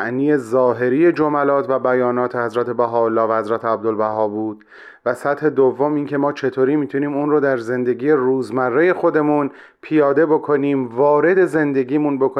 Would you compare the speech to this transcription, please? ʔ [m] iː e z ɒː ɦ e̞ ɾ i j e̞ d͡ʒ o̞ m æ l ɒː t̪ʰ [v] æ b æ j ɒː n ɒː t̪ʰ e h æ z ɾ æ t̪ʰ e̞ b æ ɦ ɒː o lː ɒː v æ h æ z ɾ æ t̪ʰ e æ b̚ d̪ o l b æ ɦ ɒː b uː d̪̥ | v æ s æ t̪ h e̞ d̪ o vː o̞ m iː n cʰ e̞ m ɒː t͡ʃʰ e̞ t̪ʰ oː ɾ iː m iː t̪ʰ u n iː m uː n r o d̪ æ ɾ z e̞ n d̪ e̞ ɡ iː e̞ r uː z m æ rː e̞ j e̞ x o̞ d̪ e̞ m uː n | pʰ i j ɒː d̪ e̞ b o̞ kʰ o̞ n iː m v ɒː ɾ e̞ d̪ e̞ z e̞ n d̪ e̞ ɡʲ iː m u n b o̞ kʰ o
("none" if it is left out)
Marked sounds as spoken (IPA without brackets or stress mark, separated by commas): n, v